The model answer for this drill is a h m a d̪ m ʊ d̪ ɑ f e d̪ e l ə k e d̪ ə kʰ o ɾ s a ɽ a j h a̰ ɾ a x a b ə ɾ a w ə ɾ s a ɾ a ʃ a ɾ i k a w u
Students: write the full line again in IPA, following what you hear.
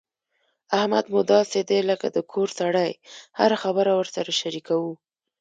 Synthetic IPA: a h m a d̪ m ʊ d̪ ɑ s e d̪ e l ə k a d̪ ə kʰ o ɾ s a ɽ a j h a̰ ɾ a x a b ə ɾ a w ə ɾ s a ɾ a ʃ a ɾ i k a w u